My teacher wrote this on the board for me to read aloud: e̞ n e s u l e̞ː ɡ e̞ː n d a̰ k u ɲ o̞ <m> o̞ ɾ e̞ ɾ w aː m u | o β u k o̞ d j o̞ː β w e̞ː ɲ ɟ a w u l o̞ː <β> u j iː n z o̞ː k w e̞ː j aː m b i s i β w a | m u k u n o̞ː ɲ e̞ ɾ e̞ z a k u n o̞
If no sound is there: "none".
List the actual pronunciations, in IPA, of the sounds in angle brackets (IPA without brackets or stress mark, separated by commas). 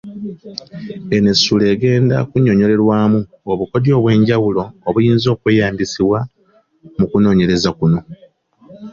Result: ɲ, β